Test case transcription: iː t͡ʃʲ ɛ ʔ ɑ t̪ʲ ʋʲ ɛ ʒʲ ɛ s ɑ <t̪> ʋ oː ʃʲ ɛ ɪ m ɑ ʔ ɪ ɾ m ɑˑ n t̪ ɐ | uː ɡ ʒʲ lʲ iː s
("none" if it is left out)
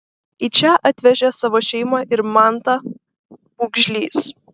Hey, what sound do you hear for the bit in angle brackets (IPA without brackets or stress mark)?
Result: none